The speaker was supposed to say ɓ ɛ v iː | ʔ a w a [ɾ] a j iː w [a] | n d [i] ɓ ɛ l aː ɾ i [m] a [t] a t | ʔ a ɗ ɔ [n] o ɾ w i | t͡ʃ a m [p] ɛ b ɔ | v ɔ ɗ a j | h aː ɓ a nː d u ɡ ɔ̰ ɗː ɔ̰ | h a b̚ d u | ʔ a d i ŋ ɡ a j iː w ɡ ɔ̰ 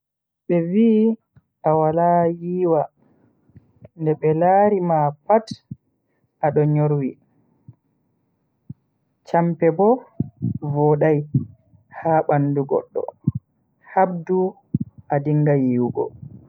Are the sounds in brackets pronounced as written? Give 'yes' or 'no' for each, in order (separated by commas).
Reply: no, yes, no, yes, no, no, yes